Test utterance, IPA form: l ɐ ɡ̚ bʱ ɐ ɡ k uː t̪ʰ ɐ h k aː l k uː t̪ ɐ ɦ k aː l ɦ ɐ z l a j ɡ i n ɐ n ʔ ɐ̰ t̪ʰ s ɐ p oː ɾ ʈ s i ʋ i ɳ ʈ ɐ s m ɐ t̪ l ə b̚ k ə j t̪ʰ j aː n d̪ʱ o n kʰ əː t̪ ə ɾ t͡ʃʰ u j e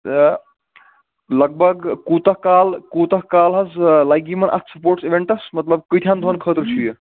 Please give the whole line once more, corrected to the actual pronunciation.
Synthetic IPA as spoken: l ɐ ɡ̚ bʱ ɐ ɡ k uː t̪ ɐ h k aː l k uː t̪ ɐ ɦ k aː l ɦ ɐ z l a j ɡ i m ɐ n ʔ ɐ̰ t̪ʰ s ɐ p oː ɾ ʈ s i ʋ e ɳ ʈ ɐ s m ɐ t̪ l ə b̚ k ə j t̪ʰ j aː n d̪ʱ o n kʰ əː t̪ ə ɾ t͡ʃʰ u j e